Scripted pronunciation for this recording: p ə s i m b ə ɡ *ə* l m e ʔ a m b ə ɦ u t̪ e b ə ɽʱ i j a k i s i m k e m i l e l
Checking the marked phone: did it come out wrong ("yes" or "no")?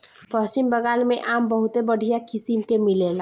yes